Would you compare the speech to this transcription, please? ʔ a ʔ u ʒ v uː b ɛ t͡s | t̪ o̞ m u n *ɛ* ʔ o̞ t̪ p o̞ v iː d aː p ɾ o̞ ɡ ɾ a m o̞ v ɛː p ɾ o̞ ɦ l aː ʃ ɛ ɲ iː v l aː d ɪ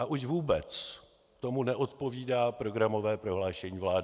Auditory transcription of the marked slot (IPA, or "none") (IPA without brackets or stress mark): ɛ